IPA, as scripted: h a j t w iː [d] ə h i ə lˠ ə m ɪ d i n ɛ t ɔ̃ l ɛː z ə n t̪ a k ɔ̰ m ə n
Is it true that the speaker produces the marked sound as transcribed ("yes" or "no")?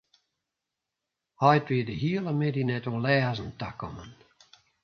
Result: yes